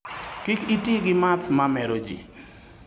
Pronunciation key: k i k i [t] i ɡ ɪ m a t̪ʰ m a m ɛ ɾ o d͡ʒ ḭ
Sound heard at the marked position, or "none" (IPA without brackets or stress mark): t